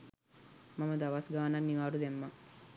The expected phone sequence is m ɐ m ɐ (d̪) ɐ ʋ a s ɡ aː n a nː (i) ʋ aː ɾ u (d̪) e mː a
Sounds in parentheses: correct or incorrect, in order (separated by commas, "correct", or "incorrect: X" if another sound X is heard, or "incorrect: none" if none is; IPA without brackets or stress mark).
correct, correct, correct